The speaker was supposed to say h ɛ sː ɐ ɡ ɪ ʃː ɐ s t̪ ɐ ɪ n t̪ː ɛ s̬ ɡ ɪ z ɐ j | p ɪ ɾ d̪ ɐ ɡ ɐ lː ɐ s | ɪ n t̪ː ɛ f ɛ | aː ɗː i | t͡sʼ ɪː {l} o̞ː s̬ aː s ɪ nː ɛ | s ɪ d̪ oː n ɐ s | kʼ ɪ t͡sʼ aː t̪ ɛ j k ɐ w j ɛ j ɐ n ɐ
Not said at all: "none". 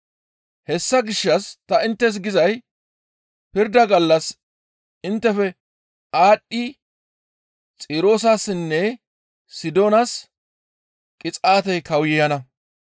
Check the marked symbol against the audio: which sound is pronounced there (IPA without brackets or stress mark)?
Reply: ɾ